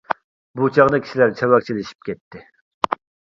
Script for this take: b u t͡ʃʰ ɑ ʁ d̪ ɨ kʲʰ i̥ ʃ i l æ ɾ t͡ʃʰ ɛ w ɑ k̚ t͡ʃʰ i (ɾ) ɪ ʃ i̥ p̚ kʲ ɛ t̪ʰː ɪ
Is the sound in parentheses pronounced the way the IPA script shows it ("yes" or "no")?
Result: no